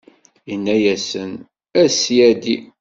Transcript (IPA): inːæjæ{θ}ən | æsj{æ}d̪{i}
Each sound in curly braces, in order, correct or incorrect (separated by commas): incorrect, correct, correct